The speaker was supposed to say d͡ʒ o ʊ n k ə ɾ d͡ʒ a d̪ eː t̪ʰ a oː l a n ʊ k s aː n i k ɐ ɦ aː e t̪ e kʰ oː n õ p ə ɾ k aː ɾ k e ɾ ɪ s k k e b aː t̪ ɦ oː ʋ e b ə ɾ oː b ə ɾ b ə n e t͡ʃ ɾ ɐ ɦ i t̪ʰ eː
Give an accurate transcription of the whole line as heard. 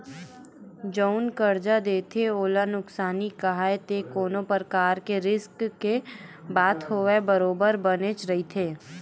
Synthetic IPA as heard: d͡ʒ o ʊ n k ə ɾ d͡ʒ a d̪ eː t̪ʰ e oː l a n ʊ k s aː n i k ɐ ɦ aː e t̪ e k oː n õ p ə ɾ k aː ɾ k e ɾ ɪ s k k e b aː t̪ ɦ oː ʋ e b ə ɾ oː b ə ɾ b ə n e t͡ʃ ɾ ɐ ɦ i t̪ʰ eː